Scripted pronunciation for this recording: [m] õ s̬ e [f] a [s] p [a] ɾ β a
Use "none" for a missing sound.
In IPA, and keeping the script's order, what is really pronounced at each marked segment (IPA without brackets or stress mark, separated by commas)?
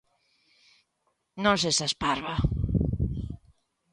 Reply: n, s, s, a